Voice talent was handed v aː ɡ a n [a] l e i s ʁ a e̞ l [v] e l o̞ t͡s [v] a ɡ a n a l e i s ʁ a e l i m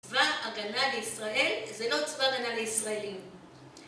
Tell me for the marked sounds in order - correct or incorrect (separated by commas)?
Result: correct, incorrect, correct